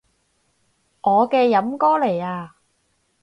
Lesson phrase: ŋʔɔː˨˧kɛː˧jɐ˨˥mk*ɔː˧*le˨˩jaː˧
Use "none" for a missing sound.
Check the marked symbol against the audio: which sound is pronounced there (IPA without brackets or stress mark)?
ɔː˥